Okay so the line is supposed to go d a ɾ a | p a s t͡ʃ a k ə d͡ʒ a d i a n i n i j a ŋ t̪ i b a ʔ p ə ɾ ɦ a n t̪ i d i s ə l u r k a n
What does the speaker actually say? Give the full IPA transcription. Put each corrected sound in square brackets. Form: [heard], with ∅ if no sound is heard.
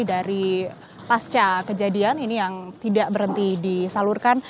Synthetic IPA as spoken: d a ɾ [i] | p a s t͡ʃ a k ə d͡ʒ a d i a n i n i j a ŋ t̪ i [d] a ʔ [b] ə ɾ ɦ [ə] n t̪ i d i s [a] l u r k a n

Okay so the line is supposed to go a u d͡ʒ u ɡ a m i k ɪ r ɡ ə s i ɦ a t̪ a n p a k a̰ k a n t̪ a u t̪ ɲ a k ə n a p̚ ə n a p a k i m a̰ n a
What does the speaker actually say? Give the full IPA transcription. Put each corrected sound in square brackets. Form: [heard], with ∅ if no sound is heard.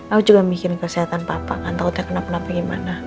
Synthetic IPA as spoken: a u d͡ʒ u ɡ a m i k ɪ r [k] ə s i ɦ a t̪ a n p a [p] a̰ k a n t̪ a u t̪ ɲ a k ə n a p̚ ə n a p a [ɡ] i m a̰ n a

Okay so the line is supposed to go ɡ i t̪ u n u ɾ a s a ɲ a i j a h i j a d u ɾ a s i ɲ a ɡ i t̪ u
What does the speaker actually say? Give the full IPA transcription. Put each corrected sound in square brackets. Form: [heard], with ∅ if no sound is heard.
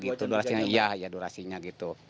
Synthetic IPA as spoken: ɡ i t̪ u [d] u ɾ a s [i] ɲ a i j a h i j a d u ɾ a s i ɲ a ɡ i t̪ u

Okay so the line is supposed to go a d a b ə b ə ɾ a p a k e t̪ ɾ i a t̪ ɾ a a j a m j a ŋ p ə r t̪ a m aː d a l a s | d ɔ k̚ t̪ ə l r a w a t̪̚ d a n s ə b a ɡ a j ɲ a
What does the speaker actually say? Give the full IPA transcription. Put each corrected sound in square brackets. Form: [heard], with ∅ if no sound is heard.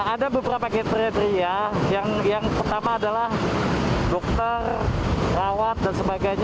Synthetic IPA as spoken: a d a b ə b ə ɾ a p a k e t̪ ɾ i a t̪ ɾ [i] a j a [ŋ] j a ŋ p ə r t̪ a m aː d a l a [h] | d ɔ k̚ t̪ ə [r] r a w a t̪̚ d a n s ə b a ɡ a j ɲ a

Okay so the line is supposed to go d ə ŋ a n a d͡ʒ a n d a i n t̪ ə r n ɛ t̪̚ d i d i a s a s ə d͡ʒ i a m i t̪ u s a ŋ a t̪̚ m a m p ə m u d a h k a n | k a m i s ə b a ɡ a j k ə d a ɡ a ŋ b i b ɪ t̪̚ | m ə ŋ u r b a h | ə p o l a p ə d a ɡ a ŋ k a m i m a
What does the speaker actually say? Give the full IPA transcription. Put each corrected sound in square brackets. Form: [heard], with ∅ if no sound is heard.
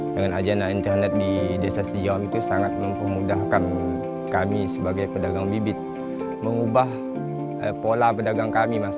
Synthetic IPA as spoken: d ə ŋ a n a d͡ʒ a n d a i n t̪ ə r n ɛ t̪̚ d i d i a s a s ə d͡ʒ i a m i t̪ u s a ŋ a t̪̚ m [ə] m p ə m u d a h k a n | k a m i s ə b a ɡ a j [p] ə d a ɡ a ŋ b i b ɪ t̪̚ | m ə ŋ u [∅] b a h | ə p o l a p ə d a ɡ a ŋ k a m i m a

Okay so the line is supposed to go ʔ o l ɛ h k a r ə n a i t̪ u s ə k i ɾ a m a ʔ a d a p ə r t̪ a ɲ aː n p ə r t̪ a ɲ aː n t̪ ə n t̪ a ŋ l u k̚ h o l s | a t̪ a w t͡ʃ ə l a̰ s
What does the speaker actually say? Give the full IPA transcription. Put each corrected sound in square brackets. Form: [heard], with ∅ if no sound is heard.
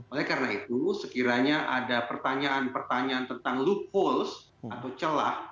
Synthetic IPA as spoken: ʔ o l ɛ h k a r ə n a i t̪ u s ə k i ɾ a [ɲ] a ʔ a d a p ə r t̪ a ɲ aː n p ə r t̪ a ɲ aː n t̪ ə n t̪ a ŋ l u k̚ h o l s | a t̪ a w t͡ʃ ə l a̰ [h]

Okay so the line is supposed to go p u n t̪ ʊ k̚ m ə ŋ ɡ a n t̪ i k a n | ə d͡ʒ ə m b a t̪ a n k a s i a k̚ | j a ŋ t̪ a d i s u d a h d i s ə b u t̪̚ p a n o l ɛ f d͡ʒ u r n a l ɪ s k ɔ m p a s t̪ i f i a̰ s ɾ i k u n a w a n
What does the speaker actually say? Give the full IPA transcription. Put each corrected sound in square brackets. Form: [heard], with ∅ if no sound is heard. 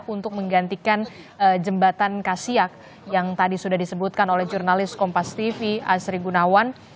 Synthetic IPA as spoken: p u n t̪ ʊ k̚ m ə ŋ ɡ a n t̪ i k a n | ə d͡ʒ ə m b a t̪ a n k a s i a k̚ | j a ŋ t̪ a d i s u d a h d i s ə b u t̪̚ [k] a n o l ɛ [h] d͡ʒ u r n a l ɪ s k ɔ m p a s t̪ i f i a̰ s ɾ i [ɡ] u n a w a n

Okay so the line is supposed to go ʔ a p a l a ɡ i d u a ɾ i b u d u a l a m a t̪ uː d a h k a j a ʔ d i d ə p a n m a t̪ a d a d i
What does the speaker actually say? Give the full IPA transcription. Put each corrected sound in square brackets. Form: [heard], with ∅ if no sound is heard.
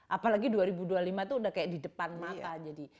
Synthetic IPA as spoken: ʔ a p a l a ɡ i d u a ɾ i b u d u a l [i] m a t̪ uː d a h k a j a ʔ d i d ə p a n m a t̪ a [d͡ʒ] a d i

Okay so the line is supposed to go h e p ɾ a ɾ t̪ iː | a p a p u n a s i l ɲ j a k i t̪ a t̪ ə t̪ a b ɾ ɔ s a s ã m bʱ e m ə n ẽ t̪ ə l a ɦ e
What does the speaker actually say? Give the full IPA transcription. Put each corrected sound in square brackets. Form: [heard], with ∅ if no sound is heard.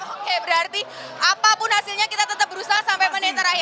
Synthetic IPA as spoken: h e [b] ɾ a ɾ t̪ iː | a p a p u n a s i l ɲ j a k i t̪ a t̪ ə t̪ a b ɾ [u] s a s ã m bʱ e m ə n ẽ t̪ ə [ɾ] a ɦ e

